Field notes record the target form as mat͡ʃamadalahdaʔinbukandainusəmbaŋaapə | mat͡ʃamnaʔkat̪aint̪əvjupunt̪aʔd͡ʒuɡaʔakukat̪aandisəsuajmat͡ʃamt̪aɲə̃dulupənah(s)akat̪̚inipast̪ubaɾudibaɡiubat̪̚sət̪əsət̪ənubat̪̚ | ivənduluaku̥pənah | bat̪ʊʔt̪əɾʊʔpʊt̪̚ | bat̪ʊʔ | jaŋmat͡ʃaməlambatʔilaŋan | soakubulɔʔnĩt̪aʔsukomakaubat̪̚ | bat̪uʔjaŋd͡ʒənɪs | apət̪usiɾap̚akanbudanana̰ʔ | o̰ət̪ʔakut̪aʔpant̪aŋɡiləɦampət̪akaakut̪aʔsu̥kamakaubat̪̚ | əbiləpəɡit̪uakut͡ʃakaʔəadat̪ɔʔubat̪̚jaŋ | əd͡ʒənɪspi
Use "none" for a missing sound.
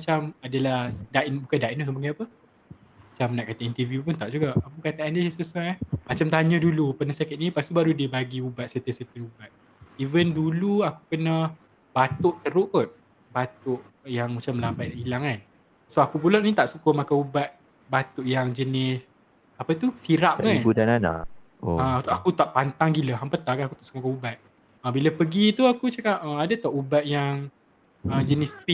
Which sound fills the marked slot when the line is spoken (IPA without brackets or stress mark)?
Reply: s